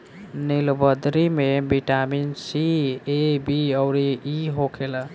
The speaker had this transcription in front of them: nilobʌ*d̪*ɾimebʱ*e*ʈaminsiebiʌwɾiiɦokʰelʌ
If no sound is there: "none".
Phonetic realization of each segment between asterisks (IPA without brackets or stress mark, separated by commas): d̪, i